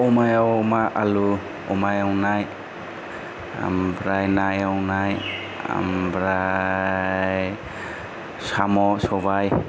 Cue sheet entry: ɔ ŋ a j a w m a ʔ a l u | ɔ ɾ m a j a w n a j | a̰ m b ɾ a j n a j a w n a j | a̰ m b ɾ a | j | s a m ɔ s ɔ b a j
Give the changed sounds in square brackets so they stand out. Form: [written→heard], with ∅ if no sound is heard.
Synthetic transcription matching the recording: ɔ [ŋ→m] a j a w m a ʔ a l u | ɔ [ɾ→∅] m a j a w n a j | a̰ m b ɾ a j n a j a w n a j | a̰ m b ɾ a | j | s a m ɔ s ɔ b a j